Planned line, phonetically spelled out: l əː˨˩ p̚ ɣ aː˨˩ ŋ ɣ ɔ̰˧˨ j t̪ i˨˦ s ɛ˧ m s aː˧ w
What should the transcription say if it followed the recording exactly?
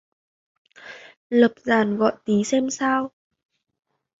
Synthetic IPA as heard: l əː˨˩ p̚ z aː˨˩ n ɣ ɔ̰˧˨ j t̪ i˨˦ s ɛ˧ m s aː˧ w